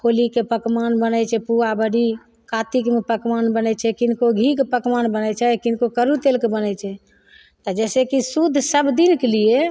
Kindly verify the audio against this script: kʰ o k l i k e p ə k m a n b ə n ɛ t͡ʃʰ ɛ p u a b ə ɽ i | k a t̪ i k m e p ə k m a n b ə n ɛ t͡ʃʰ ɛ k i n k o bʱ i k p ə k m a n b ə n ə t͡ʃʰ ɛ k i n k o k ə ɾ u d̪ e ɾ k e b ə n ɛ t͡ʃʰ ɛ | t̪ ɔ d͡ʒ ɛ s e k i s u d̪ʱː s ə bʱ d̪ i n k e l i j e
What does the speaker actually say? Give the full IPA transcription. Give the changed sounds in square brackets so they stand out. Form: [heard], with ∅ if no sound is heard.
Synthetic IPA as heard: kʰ o [∅] l i k e p ə k m a n b ə n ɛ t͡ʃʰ ɛ p u a b ə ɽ i | k a t̪ i k m e p ə k m a n b ə n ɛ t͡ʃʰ ɛ k i n k o [ɡʱ] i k p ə k m a n b ə n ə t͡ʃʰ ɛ k i n k o k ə ɾ u [t̪] e [l] k e b ə n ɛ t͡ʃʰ ɛ | t̪ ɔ d͡ʒ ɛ s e k i s u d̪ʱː s ə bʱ d̪ i n k e l i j e